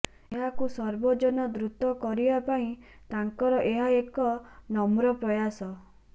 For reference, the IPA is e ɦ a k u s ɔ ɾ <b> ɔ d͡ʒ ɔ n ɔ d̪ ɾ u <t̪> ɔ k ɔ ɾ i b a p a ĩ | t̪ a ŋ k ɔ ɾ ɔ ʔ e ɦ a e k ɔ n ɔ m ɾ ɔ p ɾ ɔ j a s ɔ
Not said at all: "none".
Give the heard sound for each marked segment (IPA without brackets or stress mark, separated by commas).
b, t̪